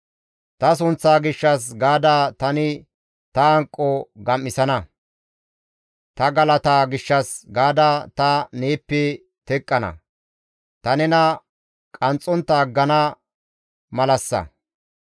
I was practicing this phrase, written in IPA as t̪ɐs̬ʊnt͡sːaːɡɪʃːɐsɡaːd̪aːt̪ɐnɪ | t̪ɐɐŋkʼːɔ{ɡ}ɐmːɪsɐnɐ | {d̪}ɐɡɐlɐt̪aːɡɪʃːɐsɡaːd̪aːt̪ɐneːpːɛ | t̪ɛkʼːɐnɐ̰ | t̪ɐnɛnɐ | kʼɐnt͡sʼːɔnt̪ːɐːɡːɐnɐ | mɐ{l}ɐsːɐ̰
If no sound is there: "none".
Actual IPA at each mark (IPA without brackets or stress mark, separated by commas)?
ɡ, t̪, l